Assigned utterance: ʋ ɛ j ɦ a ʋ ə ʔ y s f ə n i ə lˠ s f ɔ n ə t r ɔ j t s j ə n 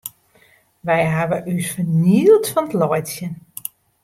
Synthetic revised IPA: ʋ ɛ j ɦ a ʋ ə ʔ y s f ə n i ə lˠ t f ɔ n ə t l ɔ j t s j ə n